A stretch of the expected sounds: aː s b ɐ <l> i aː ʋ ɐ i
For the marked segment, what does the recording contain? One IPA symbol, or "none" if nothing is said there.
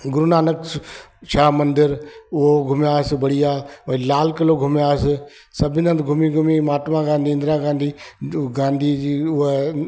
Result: ɽ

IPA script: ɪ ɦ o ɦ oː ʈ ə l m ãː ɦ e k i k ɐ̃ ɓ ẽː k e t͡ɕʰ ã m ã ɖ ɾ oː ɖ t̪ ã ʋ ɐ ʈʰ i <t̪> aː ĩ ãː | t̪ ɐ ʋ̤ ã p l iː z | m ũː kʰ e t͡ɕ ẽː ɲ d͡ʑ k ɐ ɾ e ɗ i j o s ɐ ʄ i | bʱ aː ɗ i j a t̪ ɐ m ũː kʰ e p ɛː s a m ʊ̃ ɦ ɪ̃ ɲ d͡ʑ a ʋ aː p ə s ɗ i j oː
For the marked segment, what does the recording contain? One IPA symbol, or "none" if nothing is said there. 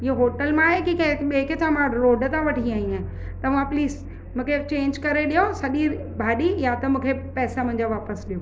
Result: none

